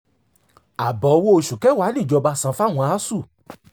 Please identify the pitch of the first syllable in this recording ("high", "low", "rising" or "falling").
low